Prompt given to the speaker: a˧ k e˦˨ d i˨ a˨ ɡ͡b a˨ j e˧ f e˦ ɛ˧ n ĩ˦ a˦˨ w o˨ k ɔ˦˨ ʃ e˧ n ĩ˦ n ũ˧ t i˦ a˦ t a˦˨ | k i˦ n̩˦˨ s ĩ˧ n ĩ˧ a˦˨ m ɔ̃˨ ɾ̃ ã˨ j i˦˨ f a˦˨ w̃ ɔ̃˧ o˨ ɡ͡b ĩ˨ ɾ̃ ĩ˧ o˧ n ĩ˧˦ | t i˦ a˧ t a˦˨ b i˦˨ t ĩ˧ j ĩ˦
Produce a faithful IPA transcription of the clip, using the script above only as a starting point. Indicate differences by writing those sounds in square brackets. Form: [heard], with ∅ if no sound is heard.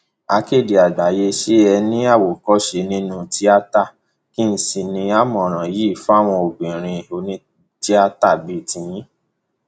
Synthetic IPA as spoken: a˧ k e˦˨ d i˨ a˨ ɡ͡b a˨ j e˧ [ʃ] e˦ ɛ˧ n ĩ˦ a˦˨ w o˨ k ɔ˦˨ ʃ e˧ n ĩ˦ n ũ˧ t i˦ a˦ t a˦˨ | k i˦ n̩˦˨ s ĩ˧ n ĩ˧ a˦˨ m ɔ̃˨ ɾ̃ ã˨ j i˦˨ f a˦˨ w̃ ɔ̃˧ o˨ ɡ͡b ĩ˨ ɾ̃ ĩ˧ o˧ n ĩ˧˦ | t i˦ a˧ t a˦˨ b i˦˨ t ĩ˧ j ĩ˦